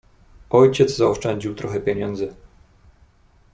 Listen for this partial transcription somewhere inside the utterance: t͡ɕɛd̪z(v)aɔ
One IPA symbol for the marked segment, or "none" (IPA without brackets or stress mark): z